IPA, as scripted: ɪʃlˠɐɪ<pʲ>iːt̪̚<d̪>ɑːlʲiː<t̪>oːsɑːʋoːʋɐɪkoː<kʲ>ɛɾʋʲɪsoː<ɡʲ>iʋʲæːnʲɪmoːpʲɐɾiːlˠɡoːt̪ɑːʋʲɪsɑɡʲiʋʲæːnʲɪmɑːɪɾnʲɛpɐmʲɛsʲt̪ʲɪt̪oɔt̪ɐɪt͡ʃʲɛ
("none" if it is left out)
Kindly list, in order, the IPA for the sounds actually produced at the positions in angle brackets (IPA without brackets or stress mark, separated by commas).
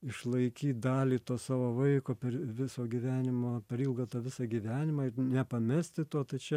kʲ, d̪, t̪, pʲ, ɡʲ